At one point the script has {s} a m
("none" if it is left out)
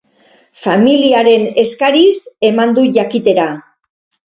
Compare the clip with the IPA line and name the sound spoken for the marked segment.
f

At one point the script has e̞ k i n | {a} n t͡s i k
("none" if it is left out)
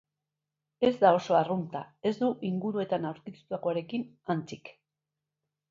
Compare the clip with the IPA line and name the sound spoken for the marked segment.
a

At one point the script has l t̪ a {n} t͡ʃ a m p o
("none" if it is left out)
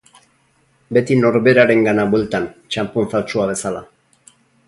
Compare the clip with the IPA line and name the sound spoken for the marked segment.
n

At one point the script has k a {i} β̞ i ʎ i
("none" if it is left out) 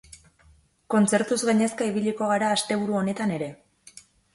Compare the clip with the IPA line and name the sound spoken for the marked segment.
i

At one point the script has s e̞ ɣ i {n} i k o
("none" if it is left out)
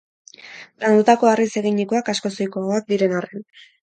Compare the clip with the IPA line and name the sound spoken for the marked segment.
ɲ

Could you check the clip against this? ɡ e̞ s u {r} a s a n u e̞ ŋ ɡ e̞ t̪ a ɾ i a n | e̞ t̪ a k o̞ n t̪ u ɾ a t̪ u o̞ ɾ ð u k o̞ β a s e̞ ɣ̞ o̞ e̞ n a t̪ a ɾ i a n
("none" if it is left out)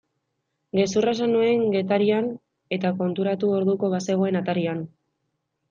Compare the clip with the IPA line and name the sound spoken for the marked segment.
r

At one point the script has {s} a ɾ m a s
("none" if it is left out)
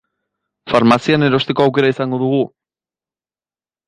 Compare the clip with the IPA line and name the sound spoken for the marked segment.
f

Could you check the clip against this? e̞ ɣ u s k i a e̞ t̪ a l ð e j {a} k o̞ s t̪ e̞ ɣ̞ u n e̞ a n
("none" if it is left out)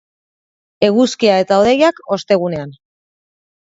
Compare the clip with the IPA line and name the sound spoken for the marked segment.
a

